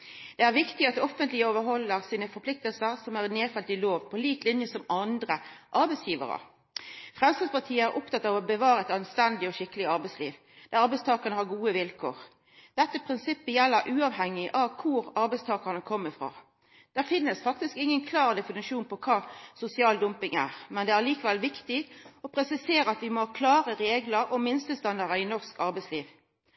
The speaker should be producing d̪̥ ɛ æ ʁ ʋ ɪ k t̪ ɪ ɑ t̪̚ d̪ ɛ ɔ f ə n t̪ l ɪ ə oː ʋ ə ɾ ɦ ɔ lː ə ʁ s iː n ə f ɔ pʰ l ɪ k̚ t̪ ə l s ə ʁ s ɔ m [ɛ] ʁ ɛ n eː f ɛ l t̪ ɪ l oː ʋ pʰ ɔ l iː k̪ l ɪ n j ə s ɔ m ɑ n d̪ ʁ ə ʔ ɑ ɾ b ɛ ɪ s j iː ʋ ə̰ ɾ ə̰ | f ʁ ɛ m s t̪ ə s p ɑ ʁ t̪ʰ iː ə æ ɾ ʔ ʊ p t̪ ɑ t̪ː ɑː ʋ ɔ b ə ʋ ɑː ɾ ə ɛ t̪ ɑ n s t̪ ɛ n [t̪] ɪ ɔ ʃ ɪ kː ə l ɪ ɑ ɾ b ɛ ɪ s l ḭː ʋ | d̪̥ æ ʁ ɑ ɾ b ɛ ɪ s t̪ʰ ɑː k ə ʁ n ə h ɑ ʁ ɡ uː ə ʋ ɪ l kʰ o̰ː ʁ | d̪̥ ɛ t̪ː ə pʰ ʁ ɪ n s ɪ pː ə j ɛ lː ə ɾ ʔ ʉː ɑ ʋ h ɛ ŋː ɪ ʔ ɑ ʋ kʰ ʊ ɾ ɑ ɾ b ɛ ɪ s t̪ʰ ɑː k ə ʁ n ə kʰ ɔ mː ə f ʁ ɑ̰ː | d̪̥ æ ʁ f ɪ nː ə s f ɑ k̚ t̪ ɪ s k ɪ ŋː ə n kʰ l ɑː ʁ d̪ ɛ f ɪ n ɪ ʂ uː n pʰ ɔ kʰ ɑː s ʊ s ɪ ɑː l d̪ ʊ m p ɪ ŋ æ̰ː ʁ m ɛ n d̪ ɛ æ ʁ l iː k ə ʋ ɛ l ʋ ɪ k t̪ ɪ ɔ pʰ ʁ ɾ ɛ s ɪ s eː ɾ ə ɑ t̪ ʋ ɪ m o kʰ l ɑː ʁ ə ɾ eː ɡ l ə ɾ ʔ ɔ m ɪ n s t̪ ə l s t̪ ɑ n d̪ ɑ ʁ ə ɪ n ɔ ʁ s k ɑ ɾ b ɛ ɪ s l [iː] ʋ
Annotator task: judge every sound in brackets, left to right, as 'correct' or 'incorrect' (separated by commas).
incorrect, incorrect, correct